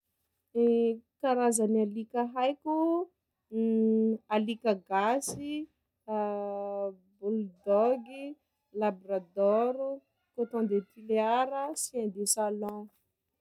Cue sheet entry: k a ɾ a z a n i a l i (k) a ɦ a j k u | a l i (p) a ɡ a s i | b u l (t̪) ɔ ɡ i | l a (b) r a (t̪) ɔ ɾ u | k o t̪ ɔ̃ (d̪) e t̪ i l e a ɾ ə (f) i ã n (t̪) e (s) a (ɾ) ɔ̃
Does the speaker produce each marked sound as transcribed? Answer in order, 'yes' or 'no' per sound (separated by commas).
yes, no, no, yes, no, yes, no, no, yes, no